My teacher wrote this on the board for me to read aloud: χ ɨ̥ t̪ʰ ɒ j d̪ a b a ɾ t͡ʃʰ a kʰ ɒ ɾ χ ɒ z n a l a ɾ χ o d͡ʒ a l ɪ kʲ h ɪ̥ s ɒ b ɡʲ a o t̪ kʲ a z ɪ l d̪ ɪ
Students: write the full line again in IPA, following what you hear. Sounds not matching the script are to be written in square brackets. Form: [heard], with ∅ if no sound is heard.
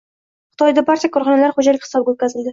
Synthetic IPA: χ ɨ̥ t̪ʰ ɒ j d̪ a b a ɾ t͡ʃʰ a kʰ ɒ ɾ χ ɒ [∅] n a l a ɾ χ o d͡ʒ a l ɪ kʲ h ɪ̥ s ɒ b ɡʲ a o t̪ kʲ a z ɪ l d̪ ɪ